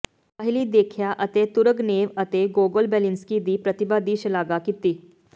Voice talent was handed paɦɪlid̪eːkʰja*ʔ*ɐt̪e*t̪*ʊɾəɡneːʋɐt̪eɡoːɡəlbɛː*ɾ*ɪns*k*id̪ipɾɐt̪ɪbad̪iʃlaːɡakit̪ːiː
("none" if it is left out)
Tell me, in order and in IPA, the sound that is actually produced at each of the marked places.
ʔ, t̪, l, k

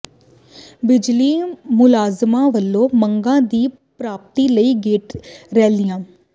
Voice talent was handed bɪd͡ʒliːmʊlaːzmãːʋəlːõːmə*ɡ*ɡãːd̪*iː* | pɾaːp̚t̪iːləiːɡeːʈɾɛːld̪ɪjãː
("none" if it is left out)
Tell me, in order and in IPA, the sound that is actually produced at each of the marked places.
ŋ, iː

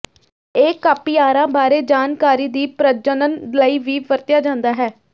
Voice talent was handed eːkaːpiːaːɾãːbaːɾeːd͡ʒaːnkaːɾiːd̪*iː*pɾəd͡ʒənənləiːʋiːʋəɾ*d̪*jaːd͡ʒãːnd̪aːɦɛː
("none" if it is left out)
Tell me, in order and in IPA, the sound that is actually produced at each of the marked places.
iː, t̪

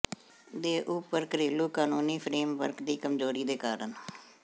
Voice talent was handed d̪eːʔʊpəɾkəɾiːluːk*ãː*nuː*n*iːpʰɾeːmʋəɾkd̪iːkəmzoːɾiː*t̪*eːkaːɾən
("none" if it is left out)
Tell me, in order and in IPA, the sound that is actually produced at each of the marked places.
aː, n, d̪

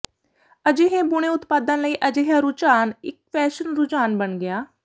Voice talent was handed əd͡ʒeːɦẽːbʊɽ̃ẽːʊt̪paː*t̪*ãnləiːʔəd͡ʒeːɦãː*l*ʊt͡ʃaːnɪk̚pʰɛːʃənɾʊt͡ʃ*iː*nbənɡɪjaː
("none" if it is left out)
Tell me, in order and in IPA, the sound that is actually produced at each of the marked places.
d̪, ɾ, aː

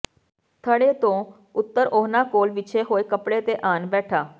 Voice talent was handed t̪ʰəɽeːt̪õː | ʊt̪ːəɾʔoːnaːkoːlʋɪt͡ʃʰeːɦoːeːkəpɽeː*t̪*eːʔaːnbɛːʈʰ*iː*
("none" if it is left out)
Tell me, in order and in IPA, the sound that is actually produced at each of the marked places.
t̪, aː

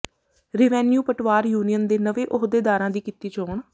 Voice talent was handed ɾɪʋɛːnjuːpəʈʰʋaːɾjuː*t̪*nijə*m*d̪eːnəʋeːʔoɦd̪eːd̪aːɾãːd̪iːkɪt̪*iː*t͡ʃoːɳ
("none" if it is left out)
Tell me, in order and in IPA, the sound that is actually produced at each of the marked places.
none, n, iː

